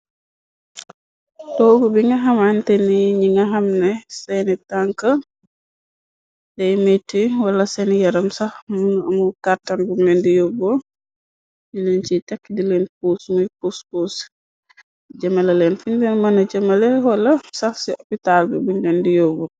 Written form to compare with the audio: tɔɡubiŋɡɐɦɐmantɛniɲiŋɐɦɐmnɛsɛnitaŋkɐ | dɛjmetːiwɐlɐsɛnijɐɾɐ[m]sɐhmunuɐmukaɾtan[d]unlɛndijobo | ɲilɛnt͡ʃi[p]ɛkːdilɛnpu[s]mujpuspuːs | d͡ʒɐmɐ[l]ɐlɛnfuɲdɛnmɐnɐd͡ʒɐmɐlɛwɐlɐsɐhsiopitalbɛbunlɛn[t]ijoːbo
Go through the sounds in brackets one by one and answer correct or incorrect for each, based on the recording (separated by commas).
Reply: correct, incorrect, incorrect, correct, correct, incorrect